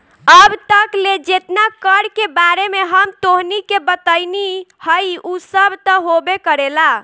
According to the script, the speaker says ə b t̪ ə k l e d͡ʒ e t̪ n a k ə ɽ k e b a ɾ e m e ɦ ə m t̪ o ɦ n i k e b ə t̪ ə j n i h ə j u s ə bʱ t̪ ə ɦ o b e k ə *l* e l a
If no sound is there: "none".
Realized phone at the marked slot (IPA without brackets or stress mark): ɾ